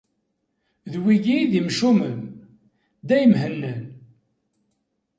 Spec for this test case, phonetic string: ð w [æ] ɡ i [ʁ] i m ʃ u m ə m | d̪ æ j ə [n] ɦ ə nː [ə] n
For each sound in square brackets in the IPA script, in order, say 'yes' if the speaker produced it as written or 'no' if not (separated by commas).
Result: no, no, no, yes